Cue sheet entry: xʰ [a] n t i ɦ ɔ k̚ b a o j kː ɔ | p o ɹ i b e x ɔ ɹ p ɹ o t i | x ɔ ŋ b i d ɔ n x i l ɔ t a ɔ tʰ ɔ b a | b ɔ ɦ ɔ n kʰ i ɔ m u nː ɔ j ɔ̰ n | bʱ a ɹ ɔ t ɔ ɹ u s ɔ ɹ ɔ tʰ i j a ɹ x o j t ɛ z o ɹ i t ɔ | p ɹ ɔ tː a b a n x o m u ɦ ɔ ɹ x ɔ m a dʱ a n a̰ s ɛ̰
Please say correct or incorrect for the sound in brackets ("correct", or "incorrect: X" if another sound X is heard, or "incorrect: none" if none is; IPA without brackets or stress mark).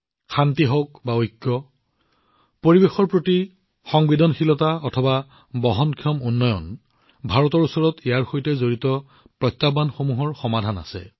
correct